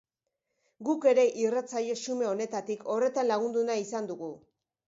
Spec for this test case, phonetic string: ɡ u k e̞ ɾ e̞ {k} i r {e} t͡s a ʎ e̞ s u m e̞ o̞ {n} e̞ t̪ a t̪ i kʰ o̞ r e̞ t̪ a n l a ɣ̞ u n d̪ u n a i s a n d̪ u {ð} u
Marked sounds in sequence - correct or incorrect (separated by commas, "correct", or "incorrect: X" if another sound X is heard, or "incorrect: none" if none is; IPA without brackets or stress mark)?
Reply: incorrect: ʔ, incorrect: a, correct, incorrect: ɣ